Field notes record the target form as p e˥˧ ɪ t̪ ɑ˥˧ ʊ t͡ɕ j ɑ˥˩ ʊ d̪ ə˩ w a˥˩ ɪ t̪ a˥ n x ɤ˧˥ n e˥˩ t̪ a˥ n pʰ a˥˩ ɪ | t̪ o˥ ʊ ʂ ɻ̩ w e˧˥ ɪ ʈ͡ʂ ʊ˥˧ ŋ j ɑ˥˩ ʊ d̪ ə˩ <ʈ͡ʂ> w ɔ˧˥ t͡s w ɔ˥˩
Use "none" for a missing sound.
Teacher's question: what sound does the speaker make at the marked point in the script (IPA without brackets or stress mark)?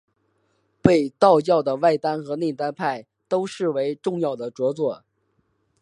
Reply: ʈ͡ʂ